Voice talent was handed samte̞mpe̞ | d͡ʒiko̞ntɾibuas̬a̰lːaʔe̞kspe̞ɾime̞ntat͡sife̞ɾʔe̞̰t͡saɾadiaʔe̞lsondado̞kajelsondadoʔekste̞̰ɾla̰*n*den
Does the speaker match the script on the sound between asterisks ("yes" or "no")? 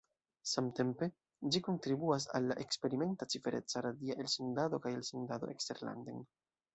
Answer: yes